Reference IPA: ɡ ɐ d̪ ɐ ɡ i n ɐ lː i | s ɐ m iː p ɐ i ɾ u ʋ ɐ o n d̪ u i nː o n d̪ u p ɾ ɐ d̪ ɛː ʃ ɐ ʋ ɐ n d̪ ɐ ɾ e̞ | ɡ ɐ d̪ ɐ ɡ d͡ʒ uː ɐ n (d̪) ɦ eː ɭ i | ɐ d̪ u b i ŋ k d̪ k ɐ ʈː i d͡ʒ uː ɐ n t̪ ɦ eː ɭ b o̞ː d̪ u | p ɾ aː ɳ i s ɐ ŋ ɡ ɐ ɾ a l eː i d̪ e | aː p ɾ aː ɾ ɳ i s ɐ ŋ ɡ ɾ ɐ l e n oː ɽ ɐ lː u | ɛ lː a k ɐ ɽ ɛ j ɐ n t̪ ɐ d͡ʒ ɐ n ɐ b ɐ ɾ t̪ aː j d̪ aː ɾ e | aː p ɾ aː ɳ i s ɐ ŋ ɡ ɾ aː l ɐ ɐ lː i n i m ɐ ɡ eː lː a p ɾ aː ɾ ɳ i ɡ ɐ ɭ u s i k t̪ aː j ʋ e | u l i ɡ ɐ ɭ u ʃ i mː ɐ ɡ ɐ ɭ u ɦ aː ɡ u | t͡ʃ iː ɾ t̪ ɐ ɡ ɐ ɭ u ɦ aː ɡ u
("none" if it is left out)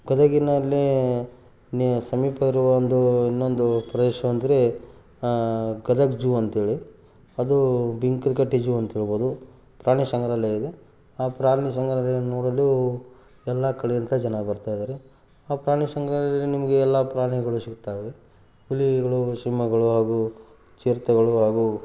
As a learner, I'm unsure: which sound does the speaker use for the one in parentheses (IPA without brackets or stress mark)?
t̪